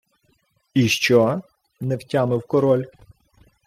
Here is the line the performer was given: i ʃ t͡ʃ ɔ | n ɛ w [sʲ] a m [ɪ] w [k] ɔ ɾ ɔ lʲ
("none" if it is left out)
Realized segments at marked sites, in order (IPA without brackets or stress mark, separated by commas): tʲ, ɪ, k